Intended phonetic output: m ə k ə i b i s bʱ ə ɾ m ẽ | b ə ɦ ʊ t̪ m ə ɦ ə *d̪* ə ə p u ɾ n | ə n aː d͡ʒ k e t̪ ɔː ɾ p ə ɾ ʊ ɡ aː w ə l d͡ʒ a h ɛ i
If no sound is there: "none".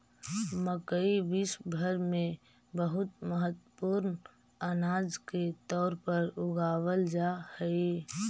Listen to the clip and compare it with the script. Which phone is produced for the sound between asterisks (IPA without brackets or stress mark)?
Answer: t̪